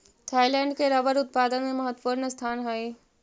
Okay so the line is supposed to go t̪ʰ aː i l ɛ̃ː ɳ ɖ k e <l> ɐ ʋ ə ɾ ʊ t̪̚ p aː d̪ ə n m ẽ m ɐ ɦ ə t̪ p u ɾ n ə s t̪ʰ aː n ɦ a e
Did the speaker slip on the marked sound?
yes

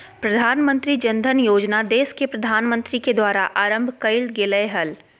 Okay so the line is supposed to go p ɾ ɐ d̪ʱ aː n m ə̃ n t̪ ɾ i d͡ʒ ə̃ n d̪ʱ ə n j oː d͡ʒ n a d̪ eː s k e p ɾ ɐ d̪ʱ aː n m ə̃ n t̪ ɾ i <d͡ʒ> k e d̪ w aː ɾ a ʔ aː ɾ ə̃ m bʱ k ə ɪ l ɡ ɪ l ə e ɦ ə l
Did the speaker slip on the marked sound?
yes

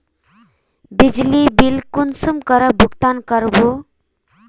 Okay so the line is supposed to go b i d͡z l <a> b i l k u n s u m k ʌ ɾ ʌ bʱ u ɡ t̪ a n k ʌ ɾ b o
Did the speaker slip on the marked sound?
yes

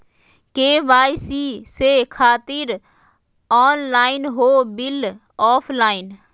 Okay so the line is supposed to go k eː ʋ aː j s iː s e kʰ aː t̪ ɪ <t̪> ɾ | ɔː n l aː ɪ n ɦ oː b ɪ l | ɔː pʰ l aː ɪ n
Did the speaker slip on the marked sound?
yes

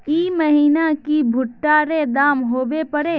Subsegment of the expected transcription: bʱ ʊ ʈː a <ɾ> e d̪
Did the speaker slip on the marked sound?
no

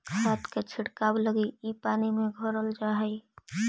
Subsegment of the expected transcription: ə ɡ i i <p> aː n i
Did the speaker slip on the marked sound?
no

